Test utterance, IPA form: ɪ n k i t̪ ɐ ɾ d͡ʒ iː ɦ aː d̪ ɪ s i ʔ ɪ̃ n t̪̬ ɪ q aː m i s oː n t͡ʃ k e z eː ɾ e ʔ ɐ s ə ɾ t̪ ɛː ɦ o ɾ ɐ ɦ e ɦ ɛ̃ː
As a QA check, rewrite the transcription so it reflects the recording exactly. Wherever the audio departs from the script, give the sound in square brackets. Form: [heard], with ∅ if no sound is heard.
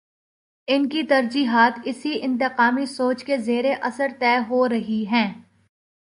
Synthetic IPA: ɪ n k i t̪ ɐ ɾ d͡ʒ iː ɦ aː [t̪] ɪ s i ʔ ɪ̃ n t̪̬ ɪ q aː m i s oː [∅] t͡ʃ k e z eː ɾ e ʔ ɐ s ə ɾ t̪ ɛː ɦ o ɾ ɐ ɦ [i] ɦ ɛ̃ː